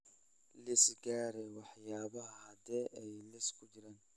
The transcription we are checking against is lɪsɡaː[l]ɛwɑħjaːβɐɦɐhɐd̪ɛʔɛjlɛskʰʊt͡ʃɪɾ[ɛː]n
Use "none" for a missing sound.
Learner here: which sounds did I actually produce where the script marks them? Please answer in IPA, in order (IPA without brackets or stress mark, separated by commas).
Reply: ɾ, aː